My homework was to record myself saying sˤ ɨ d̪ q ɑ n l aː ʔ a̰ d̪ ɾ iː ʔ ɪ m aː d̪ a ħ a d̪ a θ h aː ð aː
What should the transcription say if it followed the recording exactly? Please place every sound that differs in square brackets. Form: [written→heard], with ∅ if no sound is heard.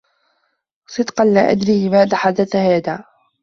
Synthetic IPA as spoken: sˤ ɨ d̪ q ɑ n l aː ʔ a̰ d̪ ɾ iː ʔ ɪ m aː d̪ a ħ a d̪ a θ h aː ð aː